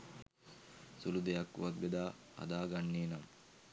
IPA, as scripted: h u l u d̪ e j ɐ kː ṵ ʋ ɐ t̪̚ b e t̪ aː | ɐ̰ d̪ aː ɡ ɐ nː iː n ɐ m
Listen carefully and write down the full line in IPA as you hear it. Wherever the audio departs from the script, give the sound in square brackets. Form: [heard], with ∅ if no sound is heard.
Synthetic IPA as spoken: [s] u l u d̪ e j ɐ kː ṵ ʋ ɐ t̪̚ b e [d̪] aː | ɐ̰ d̪ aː ɡ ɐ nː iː n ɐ m

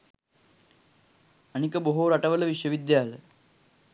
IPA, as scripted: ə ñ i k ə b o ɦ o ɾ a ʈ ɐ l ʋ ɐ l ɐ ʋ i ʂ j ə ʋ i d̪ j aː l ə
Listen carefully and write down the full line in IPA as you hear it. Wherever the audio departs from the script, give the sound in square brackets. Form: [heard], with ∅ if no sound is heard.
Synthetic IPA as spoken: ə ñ i k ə b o ɦ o ɾ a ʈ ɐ [∅] ʋ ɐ l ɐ ʋ i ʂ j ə ʋ i d̪ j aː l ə

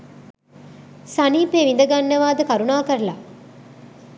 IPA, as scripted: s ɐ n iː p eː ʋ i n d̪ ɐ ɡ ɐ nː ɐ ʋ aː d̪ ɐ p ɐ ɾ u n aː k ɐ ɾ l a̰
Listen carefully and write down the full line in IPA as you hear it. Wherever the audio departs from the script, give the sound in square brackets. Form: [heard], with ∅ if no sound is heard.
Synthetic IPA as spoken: s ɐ n iː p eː ʋ i n d̪ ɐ ɡ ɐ nː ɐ ʋ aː d̪ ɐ [k] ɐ ɾ u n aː k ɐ ɾ l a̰

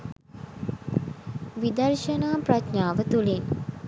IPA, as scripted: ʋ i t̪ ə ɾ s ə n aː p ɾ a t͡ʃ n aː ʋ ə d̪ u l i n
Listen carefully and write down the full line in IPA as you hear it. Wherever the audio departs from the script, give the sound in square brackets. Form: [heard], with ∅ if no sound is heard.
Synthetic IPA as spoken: ʋ i [d̪] ə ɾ [ʃ] ə n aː p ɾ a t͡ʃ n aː ʋ ə [t̪] u l i n

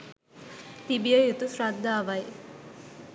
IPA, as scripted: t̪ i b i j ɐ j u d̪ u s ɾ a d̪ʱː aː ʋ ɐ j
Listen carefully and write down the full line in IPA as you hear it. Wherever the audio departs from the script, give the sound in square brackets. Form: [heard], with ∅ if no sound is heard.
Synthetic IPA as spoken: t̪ i b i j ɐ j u [t̪] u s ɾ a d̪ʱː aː ʋ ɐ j

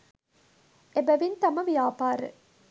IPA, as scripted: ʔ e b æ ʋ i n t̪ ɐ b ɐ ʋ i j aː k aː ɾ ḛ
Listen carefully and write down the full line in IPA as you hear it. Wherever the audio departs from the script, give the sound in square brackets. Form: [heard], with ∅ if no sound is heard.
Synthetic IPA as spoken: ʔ e b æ ʋ i n t̪ ɐ [m] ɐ ʋ i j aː [p] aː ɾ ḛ

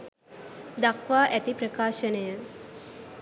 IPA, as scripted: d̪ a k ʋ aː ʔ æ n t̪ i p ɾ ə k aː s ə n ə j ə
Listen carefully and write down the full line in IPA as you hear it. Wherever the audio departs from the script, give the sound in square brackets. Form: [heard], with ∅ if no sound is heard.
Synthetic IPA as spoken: d̪ a k ʋ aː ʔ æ [∅] t̪ i p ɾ ə k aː [ʃ] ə n ə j ə

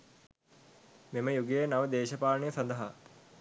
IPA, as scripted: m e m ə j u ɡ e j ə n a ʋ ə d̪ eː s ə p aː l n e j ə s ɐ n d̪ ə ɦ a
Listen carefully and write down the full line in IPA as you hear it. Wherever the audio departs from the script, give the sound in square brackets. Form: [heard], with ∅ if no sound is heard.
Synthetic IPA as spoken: m e m ə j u ɡ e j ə n a ʋ ə d̪ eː [ʃ] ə p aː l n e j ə s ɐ n d̪ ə ɦ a

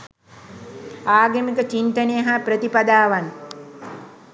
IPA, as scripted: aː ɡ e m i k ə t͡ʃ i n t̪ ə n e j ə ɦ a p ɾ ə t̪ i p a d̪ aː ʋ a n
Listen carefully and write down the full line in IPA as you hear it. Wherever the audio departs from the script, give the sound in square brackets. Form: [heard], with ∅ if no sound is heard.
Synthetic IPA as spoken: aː ɡ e m i k ə t͡ʃ i n t̪ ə n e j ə ɦ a p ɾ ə t̪ i p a d̪ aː ʋ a n

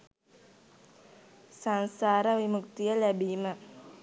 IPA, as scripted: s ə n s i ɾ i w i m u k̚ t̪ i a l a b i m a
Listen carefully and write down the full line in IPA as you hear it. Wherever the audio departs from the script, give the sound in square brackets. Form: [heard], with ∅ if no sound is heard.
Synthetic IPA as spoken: s [a] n s [a] ɾ [a] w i m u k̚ t̪ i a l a b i m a

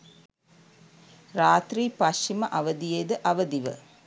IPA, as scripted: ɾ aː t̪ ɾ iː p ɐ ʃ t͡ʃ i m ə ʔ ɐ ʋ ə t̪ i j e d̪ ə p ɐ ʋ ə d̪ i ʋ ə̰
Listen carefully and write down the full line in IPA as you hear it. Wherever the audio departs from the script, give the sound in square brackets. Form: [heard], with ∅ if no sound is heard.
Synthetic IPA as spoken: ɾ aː t̪ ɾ iː p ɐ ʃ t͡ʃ i m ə ʔ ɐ ʋ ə [d̪] i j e d̪ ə [ʔ] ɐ ʋ ə d̪ i ʋ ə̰

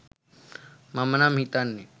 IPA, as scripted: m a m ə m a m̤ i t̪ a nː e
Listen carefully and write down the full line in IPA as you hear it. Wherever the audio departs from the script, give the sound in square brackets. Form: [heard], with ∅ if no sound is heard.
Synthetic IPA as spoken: m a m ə [n] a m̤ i t̪ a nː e

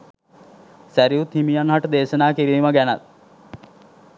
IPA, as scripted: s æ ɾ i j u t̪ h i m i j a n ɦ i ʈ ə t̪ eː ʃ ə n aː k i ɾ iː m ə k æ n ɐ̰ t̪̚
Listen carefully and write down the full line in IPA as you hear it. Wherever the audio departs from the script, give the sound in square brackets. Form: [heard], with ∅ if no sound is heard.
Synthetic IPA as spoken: s æ ɾ i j u t̪ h i m i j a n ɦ [a] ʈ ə [d̪] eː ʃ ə n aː k i ɾ iː m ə [ɡ] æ n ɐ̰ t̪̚

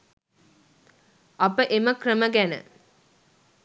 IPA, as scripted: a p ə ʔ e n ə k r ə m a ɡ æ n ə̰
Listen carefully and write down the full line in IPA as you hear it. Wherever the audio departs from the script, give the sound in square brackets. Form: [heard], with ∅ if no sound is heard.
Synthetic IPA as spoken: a p ə ʔ e [m] ə k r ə m [ə] ɡ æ n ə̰

